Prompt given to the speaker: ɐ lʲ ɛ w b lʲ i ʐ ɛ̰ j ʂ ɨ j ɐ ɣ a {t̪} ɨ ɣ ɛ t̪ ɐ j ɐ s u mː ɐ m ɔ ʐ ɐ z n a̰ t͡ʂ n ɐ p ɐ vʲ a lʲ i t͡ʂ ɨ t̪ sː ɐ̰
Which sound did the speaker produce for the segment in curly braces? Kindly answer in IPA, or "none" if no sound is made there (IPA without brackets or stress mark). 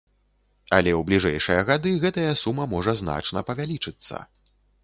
d̪